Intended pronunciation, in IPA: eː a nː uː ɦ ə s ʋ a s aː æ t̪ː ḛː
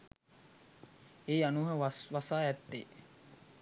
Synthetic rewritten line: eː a n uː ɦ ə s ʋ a s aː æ t̪ː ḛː